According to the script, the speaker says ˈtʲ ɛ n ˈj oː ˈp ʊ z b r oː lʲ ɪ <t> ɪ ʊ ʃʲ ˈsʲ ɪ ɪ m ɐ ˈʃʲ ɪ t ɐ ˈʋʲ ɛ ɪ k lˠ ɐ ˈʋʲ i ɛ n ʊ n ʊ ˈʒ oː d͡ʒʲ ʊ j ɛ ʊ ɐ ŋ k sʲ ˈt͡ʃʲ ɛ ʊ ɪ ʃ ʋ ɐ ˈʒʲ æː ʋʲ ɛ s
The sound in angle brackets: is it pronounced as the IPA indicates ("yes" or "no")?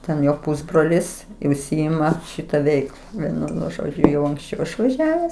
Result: no